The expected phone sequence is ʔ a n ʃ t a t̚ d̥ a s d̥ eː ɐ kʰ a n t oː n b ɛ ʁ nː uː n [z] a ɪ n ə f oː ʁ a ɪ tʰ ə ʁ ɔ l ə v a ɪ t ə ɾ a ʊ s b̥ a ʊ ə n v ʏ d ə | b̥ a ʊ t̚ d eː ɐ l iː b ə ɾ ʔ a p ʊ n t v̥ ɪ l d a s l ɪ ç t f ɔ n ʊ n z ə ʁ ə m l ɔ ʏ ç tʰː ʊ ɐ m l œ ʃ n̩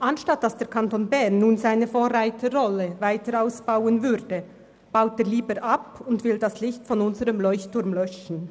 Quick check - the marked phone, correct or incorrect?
correct